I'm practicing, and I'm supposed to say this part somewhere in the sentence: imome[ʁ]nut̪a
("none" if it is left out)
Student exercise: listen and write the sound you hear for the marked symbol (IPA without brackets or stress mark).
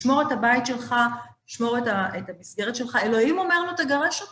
ʁ